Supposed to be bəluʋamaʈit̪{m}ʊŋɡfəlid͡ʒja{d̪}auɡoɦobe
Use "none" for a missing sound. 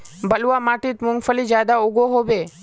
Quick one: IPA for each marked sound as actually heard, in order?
m, d̪

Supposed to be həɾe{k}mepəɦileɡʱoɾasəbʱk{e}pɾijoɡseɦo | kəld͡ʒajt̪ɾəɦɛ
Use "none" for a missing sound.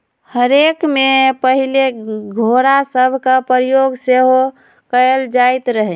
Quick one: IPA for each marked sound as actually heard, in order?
k, a

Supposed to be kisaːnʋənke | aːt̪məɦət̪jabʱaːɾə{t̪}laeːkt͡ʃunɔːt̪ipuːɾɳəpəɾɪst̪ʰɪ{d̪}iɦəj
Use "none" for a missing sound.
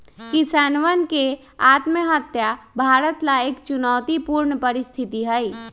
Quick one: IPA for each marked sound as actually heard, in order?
t̪, t̪

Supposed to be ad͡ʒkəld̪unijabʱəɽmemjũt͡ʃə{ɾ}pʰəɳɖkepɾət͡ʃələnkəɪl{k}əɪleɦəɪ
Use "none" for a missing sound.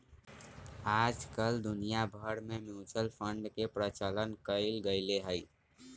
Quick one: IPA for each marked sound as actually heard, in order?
l, ɡ

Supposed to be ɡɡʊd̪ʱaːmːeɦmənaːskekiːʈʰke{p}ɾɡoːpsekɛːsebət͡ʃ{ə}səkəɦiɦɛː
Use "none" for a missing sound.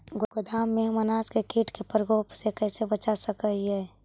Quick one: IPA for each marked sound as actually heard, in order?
p, a

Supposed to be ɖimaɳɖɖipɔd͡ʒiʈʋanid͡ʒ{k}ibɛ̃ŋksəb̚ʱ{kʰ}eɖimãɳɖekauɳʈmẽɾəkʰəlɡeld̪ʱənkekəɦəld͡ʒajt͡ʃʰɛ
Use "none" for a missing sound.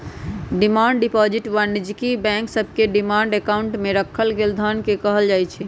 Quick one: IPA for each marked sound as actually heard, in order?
k, k

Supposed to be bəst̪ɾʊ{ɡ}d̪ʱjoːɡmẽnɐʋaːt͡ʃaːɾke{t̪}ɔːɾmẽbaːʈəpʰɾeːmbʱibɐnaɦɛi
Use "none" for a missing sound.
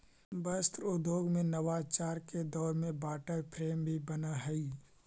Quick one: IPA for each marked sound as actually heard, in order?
none, d̪

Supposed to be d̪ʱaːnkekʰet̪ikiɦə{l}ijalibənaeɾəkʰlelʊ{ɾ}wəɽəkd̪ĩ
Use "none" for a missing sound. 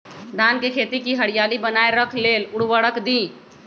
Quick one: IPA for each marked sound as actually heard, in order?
ɽ, ɽ

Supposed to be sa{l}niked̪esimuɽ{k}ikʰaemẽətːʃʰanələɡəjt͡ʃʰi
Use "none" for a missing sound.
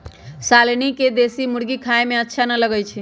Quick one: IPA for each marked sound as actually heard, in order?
l, ɡ

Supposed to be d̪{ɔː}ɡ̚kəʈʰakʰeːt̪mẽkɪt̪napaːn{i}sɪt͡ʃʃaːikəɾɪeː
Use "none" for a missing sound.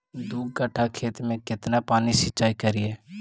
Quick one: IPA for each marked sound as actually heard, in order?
uː, i

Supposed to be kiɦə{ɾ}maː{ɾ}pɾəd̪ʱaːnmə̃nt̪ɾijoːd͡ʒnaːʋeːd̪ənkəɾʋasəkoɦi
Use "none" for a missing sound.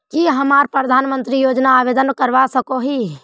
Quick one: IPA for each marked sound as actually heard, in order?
none, ɾ

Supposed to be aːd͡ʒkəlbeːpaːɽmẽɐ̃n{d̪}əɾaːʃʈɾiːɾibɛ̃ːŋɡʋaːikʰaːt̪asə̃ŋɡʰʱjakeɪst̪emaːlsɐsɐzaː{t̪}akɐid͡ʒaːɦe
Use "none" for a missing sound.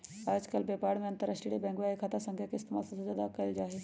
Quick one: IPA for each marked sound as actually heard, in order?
t̪, d̪

